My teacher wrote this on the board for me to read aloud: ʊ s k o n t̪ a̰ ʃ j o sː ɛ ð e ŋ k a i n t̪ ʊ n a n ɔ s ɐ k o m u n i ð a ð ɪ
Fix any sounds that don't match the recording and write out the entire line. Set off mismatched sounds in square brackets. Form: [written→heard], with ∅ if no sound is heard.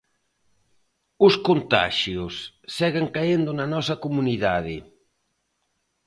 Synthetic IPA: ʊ s k o n t̪ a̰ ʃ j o sː ɛ [ð→ɣ] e ŋ k a [i→e] n [t̪→d̪] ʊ n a n ɔ s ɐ k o m u n i ð a ð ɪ

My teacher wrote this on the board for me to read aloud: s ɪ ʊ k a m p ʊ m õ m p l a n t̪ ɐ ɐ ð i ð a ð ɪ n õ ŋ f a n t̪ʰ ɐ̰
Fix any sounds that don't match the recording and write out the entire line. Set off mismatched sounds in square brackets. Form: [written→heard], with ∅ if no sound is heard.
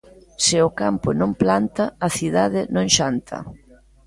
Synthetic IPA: s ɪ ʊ k a m p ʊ [m→n] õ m p l a n t̪ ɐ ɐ [ð→θ] i ð a ð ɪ n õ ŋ [f→ʃ] a n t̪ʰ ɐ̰

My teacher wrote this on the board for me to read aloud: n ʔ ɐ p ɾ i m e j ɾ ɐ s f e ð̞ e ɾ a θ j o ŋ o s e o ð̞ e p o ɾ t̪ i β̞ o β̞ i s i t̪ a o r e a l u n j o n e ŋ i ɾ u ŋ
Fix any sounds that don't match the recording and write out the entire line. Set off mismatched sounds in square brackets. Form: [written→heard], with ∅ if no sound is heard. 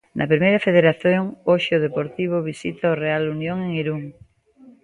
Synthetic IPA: n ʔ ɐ p ɾ i m e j ɾ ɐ [s→∅] f e ð̞ e ɾ a θ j o ŋ o [s→ʃ] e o ð̞ e p o ɾ t̪ i β̞ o β̞ i s i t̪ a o r e a l u n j o [n→ŋ] e ŋ i ɾ u ŋ

